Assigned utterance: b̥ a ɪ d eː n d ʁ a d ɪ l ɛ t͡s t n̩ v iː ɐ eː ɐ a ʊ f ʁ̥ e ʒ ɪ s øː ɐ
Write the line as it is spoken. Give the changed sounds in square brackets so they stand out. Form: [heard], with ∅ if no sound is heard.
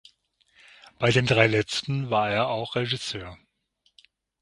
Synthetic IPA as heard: b̥ a ɪ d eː n d ʁ a [∅] ɪ l ɛ t͡s t n̩ v [aː] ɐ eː ɐ a ʊ [x] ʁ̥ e ʒ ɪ s øː ɐ